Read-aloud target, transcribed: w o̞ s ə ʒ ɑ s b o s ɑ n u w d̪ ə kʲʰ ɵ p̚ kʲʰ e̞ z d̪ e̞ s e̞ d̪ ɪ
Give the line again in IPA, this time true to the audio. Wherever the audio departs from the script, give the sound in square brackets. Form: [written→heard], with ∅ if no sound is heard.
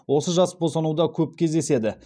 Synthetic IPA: w o̞ s ə ʒ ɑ s b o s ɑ n u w d̪ [ə→ɑ] kʲʰ ɵ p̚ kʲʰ e̞ z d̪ e̞ s e̞ d̪ ɪ